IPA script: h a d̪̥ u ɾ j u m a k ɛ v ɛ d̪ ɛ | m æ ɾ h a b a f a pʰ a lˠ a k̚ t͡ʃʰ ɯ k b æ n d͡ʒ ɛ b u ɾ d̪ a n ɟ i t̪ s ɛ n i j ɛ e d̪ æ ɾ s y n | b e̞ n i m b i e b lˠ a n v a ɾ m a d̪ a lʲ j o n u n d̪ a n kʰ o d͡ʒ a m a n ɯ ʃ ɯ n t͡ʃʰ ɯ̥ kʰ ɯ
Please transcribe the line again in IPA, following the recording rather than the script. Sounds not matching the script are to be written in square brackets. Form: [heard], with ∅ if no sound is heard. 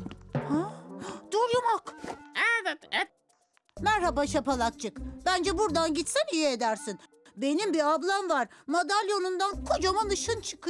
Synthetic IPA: h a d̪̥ u ɾ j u m a k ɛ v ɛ [t̪] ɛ | m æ ɾ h a b a [ʃ] a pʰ a lˠ a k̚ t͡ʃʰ ɯ k b æ n d͡ʒ ɛ b u ɾ d̪ a n ɟ i t̪ s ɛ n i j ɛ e d̪ æ ɾ s [i] n | b e̞ n i m b i [a] b lˠ a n v a ɾ m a d̪ a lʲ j o n u n d̪ a n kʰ o d͡ʒ a m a n ɯ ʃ ɯ n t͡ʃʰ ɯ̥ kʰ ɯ